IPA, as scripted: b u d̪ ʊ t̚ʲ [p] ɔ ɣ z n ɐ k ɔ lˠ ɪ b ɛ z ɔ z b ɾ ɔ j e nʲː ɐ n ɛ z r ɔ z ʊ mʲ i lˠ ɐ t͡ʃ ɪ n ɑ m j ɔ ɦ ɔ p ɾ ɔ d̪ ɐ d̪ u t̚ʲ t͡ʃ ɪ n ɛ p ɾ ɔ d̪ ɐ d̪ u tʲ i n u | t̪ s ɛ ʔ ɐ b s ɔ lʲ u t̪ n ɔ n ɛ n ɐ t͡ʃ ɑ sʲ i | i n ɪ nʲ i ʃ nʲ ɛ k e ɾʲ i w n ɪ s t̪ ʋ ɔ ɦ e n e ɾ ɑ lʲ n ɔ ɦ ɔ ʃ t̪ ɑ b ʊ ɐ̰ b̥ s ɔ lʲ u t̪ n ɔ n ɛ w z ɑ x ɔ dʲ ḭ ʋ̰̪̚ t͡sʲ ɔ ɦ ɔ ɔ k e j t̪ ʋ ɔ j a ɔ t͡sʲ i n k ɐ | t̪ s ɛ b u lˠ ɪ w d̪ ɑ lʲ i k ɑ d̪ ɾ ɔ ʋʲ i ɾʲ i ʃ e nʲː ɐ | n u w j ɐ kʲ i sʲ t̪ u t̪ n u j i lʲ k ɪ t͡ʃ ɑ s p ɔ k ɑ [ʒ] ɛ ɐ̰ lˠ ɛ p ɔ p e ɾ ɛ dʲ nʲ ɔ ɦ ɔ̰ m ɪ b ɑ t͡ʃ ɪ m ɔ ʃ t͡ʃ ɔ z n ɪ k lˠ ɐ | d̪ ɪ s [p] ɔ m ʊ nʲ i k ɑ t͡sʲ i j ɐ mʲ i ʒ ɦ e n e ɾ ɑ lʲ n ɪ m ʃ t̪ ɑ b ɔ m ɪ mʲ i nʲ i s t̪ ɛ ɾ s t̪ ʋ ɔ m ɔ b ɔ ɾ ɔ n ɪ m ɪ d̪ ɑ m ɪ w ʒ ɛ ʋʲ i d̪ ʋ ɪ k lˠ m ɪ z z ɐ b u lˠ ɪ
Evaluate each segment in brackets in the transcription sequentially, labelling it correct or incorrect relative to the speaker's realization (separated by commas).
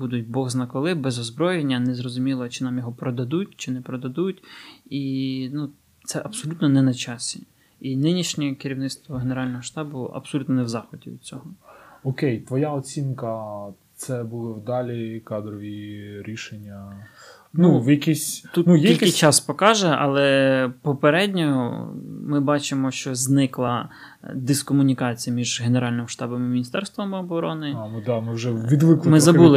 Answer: incorrect, correct, incorrect